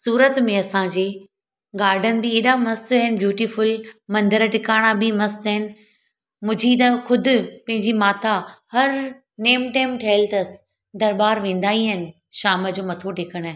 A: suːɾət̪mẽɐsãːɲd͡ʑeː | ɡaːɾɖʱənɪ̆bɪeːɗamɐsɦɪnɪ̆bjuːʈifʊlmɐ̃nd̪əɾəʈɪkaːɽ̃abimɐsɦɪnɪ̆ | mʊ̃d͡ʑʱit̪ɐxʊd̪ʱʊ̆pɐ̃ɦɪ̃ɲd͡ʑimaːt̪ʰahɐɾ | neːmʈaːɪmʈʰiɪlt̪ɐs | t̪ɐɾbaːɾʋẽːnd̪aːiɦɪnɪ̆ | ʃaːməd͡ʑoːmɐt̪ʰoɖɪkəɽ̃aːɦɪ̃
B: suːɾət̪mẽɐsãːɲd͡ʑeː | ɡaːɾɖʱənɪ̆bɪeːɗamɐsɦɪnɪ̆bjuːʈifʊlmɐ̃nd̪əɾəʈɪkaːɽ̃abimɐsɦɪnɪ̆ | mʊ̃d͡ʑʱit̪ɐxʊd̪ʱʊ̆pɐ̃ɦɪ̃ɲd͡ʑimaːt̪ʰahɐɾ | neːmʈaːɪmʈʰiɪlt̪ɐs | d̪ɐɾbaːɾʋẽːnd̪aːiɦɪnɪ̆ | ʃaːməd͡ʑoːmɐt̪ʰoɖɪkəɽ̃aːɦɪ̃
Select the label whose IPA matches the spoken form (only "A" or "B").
B